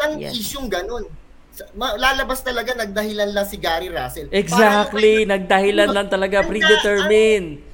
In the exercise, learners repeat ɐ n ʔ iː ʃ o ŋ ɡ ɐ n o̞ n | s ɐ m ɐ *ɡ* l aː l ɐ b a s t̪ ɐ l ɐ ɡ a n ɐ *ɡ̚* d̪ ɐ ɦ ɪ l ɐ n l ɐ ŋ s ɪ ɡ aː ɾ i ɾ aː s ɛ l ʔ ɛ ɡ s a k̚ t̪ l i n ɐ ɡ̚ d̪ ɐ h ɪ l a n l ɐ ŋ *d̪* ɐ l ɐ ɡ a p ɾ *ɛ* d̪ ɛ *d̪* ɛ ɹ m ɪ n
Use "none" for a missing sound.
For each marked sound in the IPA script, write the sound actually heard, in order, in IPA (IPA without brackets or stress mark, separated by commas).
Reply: none, ɡ̚, t̪, i, t̪